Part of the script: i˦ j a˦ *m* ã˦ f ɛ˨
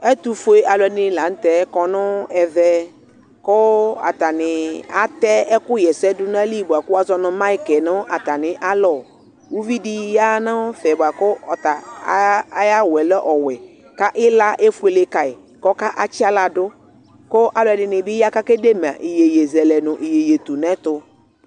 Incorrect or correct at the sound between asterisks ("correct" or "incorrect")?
incorrect